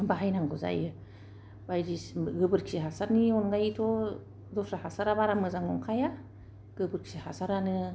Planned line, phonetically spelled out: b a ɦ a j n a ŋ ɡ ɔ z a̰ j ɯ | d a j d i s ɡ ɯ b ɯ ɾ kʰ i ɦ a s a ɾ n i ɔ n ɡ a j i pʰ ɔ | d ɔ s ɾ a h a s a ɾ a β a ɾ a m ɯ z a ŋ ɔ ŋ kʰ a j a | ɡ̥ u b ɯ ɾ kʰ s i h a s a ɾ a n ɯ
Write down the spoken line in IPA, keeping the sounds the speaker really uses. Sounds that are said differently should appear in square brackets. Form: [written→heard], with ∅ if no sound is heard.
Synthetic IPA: b a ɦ a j n a ŋ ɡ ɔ z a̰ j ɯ | [d→b] a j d i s ɡ ɯ b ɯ ɾ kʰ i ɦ a s a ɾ n i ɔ n ɡ a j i [pʰ→tʰ] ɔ | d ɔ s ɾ a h a s a ɾ a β a ɾ a m ɯ z a ŋ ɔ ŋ kʰ a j a | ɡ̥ [u→ɯ] b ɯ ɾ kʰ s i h a s a ɾ a n ɯ